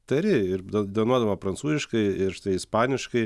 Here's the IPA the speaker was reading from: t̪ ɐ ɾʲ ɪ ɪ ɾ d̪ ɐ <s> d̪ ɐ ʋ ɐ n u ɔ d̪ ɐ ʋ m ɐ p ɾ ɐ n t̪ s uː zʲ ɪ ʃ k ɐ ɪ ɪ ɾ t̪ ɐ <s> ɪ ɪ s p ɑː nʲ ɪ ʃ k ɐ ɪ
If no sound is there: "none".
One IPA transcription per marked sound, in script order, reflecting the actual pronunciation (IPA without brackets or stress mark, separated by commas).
none, none